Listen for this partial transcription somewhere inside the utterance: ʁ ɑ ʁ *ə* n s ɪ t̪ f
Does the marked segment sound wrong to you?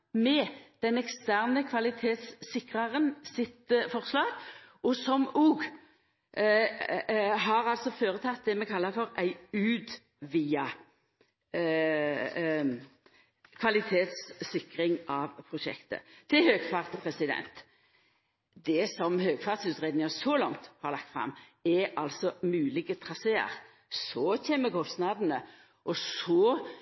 no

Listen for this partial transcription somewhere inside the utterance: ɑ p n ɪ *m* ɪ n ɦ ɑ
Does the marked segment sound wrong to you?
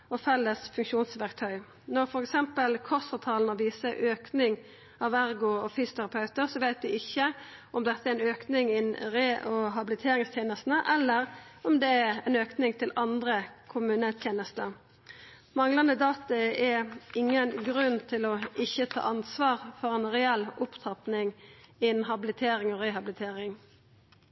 yes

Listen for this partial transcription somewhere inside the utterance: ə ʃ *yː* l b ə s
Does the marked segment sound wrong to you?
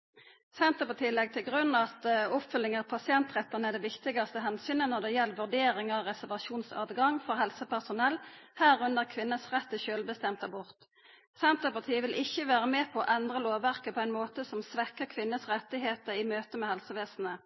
yes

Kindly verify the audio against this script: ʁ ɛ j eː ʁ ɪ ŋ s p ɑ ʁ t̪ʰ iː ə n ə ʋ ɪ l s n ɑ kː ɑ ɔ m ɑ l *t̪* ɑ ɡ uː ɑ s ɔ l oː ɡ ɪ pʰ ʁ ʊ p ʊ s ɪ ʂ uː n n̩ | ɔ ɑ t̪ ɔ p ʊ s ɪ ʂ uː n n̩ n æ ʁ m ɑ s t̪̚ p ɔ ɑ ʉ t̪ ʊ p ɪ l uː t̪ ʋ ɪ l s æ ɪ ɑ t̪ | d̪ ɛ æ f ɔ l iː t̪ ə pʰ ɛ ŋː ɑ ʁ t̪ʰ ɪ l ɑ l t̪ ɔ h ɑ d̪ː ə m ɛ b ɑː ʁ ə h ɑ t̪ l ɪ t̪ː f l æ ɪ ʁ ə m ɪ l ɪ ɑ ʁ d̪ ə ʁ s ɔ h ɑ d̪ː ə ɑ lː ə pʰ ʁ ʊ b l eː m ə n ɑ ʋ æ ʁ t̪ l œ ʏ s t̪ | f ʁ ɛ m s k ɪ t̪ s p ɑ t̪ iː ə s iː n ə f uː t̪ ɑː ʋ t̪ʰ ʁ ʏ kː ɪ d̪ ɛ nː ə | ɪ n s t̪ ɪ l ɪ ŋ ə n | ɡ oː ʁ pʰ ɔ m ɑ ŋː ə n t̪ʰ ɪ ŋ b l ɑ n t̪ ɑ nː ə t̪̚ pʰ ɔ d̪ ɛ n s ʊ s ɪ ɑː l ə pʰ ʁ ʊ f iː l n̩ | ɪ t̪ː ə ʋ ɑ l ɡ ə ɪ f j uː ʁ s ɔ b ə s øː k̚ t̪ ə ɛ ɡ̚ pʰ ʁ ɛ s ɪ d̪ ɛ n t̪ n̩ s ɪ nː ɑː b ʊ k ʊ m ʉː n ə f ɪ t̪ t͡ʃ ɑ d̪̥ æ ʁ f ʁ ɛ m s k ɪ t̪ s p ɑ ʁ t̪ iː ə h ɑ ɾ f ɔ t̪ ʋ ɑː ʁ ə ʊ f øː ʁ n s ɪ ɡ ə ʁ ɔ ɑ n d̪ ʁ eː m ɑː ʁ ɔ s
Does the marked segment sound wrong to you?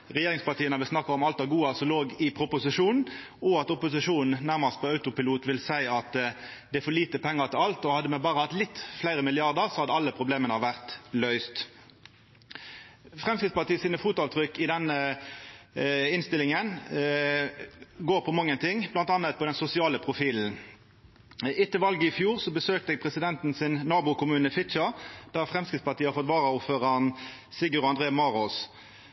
no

